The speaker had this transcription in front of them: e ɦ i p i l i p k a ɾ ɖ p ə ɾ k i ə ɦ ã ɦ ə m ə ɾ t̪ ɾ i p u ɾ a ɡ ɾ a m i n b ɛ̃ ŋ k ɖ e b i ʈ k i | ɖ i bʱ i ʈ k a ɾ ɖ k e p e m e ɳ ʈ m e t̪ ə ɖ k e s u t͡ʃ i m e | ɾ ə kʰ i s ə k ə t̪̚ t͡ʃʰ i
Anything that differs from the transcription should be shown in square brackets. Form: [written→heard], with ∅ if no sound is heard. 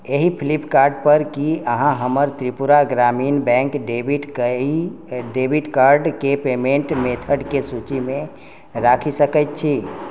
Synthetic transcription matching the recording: e ɦ i [p→pʰ] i l i p k a ɾ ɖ p ə ɾ k i ə ɦ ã ɦ ə m ə ɾ t̪ ɾ i p u ɾ a ɡ ɾ a m i n b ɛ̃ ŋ k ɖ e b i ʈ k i | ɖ [i→e] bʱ i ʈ k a ɾ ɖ k e p e m e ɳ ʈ m e [t̪→t̪ʰ] ə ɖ k e s u t͡ʃ i m e | ɾ [ə→a] kʰ i s ə k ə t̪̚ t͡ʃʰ i